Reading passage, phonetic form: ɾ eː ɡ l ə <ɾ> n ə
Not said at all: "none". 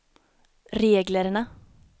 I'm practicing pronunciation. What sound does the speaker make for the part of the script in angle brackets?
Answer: ɾ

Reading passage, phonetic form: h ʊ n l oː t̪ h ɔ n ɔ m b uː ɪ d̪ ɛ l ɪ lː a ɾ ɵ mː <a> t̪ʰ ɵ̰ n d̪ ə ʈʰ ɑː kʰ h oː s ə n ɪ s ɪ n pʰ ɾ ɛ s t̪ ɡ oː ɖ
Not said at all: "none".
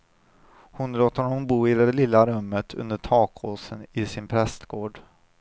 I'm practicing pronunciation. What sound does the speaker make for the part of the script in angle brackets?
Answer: ə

